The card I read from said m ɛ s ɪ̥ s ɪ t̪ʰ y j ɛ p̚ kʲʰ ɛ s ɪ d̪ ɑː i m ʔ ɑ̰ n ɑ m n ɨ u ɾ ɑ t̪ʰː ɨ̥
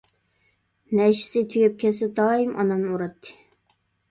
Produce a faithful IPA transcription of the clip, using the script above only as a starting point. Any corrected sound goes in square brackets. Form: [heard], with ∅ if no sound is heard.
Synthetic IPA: [n] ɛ [ʃ] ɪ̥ s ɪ t̪ʰ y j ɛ p̚ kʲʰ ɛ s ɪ d̪ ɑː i m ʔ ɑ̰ n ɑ m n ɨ u ɾ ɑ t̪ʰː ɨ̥